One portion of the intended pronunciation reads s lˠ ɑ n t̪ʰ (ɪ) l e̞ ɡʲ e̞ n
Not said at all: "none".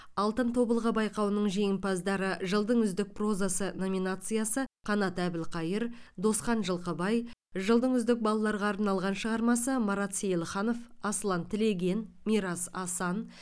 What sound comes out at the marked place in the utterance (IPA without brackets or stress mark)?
ɪ